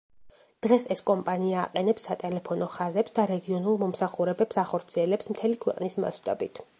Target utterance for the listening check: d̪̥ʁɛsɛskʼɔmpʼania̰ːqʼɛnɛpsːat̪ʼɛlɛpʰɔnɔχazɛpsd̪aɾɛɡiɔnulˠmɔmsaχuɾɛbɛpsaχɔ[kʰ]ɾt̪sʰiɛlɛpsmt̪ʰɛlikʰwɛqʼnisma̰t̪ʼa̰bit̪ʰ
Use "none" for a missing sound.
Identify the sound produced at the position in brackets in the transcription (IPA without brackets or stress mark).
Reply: none